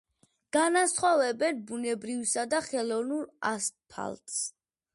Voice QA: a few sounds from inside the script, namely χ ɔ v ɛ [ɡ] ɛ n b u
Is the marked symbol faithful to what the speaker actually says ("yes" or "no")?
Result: no